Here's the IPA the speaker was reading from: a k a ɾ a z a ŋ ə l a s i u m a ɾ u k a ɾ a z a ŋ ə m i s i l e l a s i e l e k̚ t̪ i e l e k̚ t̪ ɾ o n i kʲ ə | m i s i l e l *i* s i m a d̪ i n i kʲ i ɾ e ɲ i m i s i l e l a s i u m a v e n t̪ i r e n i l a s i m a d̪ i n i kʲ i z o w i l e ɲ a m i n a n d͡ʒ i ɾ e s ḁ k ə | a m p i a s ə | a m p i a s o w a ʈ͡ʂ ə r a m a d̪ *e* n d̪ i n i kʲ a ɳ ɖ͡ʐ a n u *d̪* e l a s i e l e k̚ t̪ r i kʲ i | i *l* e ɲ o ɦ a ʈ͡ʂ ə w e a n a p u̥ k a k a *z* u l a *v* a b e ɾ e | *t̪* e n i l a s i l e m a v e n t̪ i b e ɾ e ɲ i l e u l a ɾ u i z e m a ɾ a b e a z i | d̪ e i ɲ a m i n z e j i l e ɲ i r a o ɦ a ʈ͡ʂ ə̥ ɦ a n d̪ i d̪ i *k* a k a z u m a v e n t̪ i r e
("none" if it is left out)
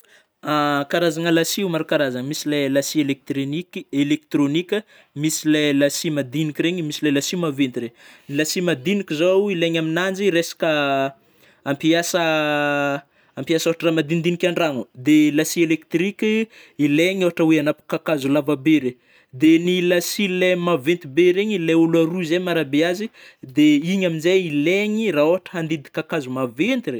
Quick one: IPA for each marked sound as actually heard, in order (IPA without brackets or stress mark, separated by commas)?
a, i, d̪, l, z, v, d̪, k